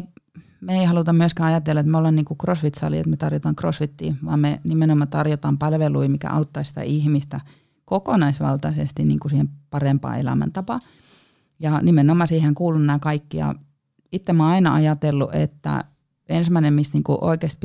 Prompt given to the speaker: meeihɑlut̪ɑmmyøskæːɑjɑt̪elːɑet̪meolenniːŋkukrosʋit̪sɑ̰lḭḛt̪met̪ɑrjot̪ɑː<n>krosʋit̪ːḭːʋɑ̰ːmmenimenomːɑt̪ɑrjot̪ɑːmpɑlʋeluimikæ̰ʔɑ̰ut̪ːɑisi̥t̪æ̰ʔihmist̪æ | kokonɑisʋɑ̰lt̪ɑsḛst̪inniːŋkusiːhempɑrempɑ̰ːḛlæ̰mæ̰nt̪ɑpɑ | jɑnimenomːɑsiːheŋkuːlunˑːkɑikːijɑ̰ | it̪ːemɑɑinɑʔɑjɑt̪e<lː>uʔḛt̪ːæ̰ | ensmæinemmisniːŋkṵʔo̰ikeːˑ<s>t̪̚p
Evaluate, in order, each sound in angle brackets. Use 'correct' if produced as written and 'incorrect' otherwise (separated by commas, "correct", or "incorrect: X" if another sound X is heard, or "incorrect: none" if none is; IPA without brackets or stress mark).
incorrect: ŋ, correct, correct